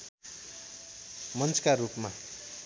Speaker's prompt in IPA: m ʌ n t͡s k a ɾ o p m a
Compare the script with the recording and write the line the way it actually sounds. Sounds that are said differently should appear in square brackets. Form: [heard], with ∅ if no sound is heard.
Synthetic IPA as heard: m ʌ n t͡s k a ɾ [u] p m a